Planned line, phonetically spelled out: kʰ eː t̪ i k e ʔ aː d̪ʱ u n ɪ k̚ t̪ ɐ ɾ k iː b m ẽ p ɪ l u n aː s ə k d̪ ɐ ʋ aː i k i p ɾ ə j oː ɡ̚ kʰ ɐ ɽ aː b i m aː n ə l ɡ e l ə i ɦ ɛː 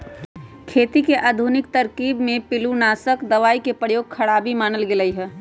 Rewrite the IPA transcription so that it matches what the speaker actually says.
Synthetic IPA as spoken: kʰ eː t̪ i k e ʔ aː d̪ʱ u n ɪ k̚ t̪ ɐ ɾ k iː b m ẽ p ɪ l u n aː s ə k d̪ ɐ ʋ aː i k e p ɾ ə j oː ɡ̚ kʰ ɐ ɽ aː b i m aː n ə l ɡ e l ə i ɦ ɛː